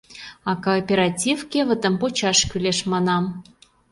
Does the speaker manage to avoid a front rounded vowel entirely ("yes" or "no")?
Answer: no